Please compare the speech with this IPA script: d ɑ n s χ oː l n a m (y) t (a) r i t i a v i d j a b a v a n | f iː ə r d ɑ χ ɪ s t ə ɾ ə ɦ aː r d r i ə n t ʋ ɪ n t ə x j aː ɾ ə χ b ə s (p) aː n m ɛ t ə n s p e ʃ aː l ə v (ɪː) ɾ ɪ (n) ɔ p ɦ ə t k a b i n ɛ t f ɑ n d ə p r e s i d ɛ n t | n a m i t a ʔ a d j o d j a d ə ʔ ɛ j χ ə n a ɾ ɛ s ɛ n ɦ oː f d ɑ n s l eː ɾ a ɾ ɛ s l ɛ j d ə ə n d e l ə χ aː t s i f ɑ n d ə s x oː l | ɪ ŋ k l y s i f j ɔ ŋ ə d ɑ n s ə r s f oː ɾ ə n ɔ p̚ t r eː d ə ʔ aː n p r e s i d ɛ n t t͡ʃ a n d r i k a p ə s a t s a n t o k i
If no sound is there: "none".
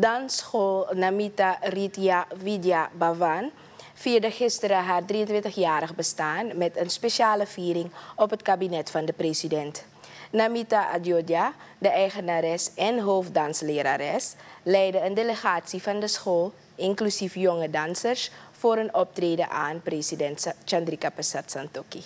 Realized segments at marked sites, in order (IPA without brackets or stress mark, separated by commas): i, a, t, iː, ŋ